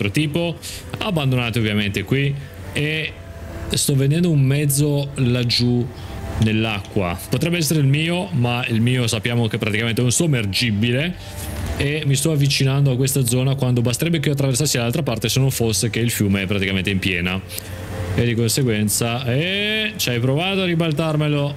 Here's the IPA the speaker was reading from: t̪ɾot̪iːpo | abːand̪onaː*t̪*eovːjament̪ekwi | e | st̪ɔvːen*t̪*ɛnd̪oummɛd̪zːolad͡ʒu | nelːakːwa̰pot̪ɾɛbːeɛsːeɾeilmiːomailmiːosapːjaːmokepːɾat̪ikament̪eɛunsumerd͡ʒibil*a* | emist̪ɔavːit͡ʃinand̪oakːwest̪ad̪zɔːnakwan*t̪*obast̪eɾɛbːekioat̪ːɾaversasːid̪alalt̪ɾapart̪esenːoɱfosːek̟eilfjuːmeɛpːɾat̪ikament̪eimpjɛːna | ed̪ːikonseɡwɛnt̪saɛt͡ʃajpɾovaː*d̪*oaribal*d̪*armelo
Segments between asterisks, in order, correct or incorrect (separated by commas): correct, incorrect, incorrect, incorrect, incorrect, incorrect